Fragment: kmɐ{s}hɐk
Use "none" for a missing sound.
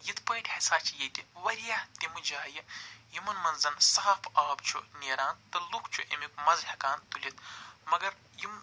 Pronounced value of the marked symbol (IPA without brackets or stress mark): z